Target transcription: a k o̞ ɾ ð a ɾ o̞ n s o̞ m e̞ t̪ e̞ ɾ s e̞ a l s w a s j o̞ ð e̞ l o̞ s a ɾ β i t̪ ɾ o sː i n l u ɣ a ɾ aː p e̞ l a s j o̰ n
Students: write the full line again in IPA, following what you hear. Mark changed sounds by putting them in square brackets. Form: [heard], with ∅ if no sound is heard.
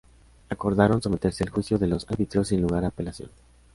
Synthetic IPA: a k o̞ ɾ ð a ɾ o̞ n s o̞ m e̞ t̪ e̞ ɾ s e̞ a l [x] w [i] s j o̞ ð e̞ l o̞ s a ɾ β i t̪ ɾ o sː i n l u ɣ a ɾ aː p e̞ l a s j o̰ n